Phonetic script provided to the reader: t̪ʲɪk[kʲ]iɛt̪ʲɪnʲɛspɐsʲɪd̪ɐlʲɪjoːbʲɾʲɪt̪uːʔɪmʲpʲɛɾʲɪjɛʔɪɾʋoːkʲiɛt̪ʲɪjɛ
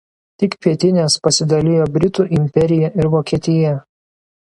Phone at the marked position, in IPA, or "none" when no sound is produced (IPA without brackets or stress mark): pʲ